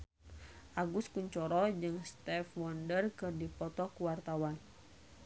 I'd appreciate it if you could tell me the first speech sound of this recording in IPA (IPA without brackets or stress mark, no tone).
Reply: ʔ